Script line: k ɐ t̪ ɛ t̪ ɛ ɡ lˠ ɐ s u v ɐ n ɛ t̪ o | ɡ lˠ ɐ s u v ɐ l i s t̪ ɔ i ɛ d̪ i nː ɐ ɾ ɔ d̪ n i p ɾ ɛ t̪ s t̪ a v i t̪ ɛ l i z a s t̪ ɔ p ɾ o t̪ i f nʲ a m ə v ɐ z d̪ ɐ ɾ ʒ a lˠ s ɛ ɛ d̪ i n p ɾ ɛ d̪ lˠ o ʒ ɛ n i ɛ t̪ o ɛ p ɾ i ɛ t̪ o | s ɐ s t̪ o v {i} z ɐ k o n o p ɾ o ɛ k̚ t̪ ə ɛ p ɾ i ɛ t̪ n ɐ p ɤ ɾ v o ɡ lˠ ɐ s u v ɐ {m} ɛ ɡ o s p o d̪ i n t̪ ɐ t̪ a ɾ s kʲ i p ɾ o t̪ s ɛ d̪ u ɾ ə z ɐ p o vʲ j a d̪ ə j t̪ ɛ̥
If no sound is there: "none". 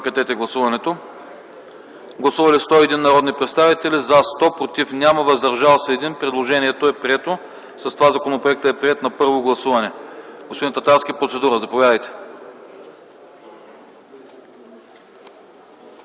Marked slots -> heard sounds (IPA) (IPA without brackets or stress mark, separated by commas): a, n